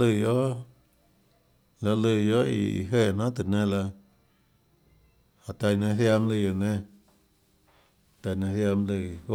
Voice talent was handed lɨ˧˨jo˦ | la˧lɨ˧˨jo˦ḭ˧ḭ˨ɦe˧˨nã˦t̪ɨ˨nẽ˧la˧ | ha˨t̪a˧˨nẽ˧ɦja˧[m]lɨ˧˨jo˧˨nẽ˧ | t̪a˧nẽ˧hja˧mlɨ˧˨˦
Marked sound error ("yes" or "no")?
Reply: no